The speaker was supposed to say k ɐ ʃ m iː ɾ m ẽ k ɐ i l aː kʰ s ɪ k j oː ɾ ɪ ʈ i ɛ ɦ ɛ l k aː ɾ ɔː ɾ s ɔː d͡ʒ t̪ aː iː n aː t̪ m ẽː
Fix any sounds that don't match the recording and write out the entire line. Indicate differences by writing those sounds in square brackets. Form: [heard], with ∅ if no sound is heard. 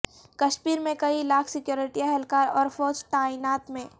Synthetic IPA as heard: k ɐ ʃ m iː ɾ m ẽ k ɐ i l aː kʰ s ɪ k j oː ɾ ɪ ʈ i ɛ ɦ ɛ l k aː ɾ ɔː ɾ [f] ɔː d͡ʒ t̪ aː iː n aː t̪ m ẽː